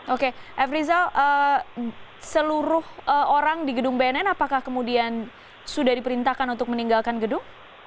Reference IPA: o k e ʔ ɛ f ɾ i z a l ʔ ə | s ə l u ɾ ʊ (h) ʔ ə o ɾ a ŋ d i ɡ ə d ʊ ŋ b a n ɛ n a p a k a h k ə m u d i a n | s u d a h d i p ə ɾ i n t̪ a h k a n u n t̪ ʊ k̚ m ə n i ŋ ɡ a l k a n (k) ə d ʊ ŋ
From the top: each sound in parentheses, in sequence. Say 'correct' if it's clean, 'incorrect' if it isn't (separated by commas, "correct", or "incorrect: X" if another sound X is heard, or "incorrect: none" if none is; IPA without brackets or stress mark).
correct, incorrect: ɡ